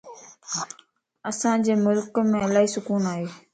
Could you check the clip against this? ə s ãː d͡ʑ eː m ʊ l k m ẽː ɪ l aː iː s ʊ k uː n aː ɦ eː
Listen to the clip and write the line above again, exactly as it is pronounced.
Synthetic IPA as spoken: ə s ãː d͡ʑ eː m ʊ l k m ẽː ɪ l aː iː s ʊ k uː n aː ɦ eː